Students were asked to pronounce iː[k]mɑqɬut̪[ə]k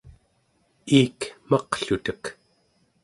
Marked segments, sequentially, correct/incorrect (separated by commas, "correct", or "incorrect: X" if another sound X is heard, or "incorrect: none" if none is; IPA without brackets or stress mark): correct, correct